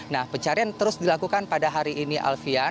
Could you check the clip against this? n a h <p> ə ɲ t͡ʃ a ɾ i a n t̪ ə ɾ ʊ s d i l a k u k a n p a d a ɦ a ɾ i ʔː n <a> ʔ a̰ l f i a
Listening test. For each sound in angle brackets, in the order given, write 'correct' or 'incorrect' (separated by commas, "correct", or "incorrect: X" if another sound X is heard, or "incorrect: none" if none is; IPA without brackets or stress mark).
correct, incorrect: i